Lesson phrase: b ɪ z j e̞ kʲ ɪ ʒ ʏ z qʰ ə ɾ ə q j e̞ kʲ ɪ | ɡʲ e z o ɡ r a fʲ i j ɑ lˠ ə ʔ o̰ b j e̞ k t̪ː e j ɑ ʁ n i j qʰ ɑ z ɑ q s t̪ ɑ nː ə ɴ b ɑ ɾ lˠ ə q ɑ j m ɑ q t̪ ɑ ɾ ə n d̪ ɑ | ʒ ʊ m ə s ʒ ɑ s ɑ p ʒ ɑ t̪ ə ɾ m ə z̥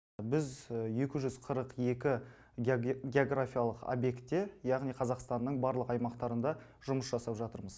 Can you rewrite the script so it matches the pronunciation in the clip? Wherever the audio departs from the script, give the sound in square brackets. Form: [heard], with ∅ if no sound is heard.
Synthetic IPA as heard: b ɪ z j e̞ kʲ ɪ ʒ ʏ z qʰ ə ɾ ə q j e̞ kʲ ɪ | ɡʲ e [∅] o ɡ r a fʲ i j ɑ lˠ ə [q] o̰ b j e̞ k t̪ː e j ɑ ʁ n i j qʰ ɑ z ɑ q s t̪ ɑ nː ə ɴ b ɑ ɾ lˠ ə q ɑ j m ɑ q t̪ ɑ ɾ ə n d̪ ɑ | ʒ ʊ m ə s ʒ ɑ s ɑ p ʒ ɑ t̪ ə ɾ m ə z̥

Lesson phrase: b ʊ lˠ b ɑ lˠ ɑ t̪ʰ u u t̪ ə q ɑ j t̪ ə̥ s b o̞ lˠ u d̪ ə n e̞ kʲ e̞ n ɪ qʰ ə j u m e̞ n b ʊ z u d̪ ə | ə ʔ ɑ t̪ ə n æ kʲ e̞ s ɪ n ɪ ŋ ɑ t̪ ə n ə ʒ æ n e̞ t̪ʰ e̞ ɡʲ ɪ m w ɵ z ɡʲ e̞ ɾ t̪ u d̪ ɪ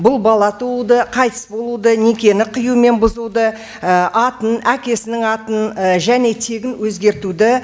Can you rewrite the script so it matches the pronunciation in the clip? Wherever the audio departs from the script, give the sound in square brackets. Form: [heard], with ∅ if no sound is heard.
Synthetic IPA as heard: b ʊ lˠ b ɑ lˠ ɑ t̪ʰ u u [d̪] ə [qʰ] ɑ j t̪ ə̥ s b o̞ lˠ u d̪ ə n e̞ kʲ e̞ n ɪ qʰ ə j u m e̞ n b ʊ z u d̪ ə | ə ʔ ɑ t̪ ə n æ kʲ e̞ s ɪ n ɪ ŋ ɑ t̪ ə n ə ʒ æ n e̞ t̪ʰ e̞ ɡʲ ɪ [n] w ɵ z ɡʲ e̞ ɾ t̪ u d̪ ɪ

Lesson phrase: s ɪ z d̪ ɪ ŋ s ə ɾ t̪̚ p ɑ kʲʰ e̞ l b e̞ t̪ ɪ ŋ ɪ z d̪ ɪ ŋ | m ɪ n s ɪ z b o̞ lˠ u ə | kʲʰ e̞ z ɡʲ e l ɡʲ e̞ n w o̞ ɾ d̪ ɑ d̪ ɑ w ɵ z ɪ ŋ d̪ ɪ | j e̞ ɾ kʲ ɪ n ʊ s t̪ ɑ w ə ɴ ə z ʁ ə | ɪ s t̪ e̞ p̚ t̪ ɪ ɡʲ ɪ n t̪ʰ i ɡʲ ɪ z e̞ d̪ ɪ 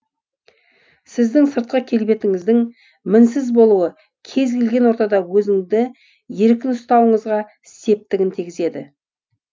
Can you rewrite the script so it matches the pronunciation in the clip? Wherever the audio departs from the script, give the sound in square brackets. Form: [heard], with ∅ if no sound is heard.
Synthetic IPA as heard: s ɪ z d̪ ɪ ŋ s ə ɾ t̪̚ [q] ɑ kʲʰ e̞ l b e̞ t̪ ɪ ŋ ɪ z d̪ ɪ ŋ | m ɪ n s ɪ z b o̞ lˠ u ə | kʲʰ e̞ z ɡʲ e l ɡʲ e̞ n w o̞ ɾ [t̪] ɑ d̪ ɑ w ɵ z ɪ ŋ d̪ ɪ | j e̞ ɾ kʲ ɪ n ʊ s t̪ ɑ w ə ɴ ə z ʁ [ɑ] | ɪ s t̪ e̞ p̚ t̪ ɪ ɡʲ ɪ n t̪ʰ i ɡʲ ɪ z e̞ d̪ ɪ

